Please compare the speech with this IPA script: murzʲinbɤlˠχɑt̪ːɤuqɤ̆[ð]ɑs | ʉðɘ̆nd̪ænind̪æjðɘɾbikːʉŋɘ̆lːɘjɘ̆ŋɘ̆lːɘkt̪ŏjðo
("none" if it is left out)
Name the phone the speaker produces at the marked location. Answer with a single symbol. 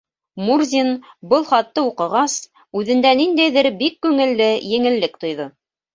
ʁ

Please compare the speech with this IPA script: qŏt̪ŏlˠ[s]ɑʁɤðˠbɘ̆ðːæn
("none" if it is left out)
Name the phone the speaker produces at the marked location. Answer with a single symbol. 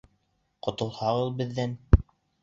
h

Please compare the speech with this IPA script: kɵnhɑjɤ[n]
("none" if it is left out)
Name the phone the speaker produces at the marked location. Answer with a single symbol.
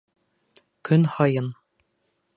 n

